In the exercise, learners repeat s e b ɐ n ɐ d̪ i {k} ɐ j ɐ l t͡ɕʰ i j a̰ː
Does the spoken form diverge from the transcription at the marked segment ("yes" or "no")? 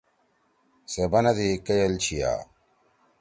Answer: no